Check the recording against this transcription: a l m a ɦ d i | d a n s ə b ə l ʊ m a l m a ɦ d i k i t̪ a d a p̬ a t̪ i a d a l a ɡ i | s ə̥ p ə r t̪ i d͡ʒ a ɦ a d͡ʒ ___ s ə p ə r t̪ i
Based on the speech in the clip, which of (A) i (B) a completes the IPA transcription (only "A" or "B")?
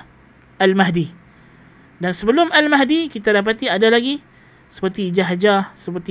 B